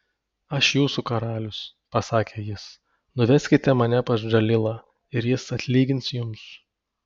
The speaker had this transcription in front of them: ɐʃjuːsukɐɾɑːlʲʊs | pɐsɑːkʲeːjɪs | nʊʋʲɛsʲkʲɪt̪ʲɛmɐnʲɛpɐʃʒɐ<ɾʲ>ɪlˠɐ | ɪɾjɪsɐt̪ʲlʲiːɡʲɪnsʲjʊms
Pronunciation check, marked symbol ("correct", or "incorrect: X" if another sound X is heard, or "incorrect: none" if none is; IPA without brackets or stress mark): incorrect: lʲ